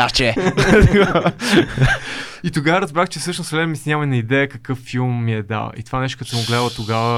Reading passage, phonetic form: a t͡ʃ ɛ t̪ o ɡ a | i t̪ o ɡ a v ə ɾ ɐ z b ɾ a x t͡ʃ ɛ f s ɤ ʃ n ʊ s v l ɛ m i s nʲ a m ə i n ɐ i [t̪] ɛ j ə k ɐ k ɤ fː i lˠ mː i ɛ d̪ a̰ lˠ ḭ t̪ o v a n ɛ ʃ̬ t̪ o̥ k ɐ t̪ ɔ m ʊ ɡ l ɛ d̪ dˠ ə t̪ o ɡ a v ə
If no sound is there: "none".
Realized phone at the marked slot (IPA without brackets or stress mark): d̪